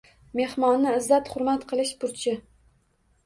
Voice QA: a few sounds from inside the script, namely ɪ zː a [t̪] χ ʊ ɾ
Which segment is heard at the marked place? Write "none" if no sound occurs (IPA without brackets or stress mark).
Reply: t̪